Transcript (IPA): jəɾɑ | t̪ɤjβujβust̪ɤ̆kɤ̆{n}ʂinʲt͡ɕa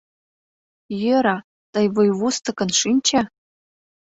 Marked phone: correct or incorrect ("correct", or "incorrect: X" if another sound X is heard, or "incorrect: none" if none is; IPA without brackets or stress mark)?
correct